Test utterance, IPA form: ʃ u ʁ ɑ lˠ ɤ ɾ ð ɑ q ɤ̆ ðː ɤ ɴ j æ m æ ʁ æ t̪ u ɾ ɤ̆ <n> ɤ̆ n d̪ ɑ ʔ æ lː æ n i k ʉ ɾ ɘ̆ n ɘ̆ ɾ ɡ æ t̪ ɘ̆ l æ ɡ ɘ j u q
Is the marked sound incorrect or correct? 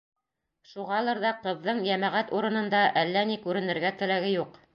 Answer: correct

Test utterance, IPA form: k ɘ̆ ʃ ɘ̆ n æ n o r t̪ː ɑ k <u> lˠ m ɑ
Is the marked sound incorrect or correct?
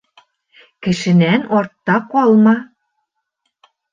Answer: incorrect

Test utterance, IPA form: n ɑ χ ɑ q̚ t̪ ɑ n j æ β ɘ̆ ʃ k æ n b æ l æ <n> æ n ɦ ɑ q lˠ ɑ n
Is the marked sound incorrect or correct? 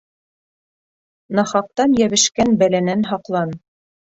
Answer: correct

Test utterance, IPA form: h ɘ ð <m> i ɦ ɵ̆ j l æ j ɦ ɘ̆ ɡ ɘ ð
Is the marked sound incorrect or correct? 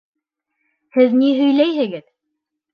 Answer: incorrect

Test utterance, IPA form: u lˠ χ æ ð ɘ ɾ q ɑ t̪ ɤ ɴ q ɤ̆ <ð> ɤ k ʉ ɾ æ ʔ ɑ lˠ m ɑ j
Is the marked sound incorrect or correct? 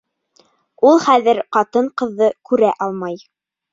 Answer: incorrect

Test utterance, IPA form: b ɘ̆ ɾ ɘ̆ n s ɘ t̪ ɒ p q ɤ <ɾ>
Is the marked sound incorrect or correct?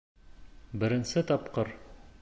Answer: correct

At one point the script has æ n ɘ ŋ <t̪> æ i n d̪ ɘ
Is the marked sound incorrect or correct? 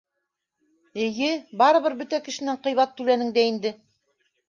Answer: incorrect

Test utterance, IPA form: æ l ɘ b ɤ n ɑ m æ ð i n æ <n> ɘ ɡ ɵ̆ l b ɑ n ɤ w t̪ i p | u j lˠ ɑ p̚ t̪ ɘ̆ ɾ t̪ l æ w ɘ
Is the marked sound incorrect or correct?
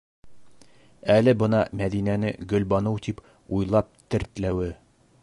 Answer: correct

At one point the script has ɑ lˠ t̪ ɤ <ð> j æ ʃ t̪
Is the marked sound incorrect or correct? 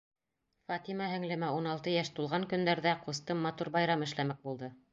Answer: incorrect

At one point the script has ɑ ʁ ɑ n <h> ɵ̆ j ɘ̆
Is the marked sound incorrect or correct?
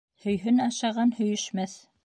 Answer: correct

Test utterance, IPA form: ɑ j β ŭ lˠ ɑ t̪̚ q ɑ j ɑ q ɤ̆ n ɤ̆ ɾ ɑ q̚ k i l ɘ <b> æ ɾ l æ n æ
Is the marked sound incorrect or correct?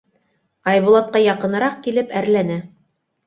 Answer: incorrect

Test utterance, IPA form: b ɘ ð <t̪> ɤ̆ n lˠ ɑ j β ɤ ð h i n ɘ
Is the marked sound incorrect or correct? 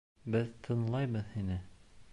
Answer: incorrect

